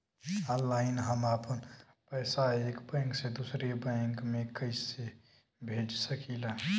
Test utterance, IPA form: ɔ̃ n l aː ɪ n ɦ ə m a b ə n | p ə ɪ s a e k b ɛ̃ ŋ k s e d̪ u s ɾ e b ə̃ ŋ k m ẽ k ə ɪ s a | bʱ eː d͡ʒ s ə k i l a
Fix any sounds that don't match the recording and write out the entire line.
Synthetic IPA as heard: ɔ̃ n l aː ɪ n ɦ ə m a p ə n | p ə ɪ s a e k b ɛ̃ ŋ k s e d̪ u s ɾ e b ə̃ ŋ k m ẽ k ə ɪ s e | bʱ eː d͡ʒ s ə k i l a